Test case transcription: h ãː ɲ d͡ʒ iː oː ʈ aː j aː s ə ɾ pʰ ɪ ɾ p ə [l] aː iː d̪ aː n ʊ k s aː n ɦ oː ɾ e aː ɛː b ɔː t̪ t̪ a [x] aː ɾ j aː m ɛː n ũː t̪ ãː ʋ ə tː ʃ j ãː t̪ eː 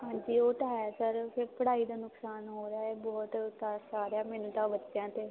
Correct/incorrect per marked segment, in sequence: incorrect: ɽ, incorrect: s

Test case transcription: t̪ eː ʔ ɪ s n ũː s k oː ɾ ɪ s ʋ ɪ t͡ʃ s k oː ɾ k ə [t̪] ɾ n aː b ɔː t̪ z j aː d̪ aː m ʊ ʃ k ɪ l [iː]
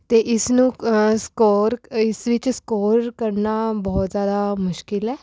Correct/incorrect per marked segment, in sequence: incorrect: none, incorrect: ɛː

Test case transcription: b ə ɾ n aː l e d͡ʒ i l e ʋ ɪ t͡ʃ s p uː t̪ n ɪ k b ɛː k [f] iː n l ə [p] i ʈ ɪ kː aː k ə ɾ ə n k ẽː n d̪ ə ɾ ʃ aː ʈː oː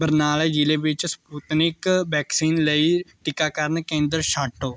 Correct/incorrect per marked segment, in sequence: incorrect: s, incorrect: none

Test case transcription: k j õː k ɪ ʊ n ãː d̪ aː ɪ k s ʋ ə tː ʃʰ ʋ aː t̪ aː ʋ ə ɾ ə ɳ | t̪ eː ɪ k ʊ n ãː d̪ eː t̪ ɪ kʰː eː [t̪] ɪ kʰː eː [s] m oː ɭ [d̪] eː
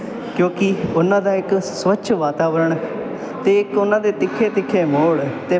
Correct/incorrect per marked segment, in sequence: correct, incorrect: none, incorrect: t̪

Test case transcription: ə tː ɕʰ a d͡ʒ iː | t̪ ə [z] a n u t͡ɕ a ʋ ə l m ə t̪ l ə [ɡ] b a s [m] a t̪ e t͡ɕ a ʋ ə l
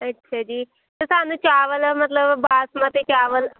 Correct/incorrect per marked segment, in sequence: incorrect: s, incorrect: b, correct

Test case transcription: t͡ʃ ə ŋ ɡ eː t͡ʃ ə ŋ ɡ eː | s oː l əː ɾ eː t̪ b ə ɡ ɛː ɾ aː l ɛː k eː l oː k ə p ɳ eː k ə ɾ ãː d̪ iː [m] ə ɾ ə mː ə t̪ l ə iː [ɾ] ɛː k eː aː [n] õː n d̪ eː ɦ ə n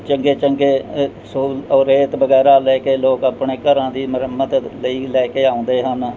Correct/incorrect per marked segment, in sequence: correct, incorrect: l, incorrect: none

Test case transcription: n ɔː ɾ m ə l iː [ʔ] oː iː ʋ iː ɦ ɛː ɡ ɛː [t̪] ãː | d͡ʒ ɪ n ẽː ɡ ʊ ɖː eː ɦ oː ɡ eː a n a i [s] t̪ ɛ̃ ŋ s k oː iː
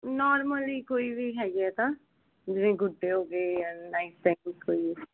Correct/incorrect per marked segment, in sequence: incorrect: k, correct, correct

